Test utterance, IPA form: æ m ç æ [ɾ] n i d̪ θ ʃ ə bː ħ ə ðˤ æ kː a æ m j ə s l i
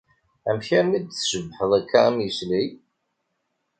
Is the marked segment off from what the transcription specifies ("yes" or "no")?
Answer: no